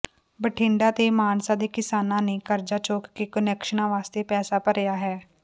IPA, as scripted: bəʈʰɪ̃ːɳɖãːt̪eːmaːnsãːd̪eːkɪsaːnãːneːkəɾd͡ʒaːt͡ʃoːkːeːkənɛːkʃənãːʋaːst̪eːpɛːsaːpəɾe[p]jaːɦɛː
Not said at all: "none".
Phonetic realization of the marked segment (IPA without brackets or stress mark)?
none